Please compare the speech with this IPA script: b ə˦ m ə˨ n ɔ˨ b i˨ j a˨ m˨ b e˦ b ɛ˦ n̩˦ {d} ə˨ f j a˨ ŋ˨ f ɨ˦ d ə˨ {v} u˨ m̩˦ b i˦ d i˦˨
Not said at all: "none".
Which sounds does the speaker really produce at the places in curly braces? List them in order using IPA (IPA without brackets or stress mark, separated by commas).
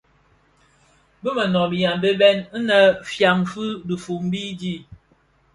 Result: n, f